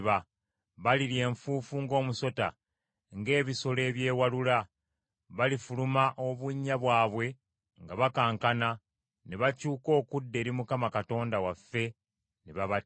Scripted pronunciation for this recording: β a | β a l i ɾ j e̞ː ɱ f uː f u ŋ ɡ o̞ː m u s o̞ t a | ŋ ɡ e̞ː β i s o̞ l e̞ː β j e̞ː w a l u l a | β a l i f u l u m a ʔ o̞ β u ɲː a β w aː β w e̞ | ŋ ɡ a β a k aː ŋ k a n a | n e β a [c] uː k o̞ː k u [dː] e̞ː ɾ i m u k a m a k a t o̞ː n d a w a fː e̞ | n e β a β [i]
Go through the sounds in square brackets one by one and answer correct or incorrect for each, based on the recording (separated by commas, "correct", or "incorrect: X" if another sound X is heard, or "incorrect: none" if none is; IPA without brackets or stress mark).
correct, correct, incorrect: a